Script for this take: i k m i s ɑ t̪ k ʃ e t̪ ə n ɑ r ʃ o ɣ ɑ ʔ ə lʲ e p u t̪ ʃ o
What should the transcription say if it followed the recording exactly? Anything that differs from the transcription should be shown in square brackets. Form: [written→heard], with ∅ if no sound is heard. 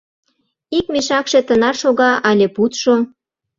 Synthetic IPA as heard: i k m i [s→ʃ] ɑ [t̪→∅] k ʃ e t̪ ə n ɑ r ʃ o ɣ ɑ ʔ [ə→ɑ] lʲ e p u t̪ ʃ o